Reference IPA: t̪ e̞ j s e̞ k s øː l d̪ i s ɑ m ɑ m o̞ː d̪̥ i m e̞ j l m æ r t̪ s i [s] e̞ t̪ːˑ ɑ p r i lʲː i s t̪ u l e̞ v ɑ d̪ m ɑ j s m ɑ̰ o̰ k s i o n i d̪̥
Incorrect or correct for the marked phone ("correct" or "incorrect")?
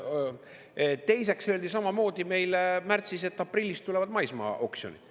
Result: correct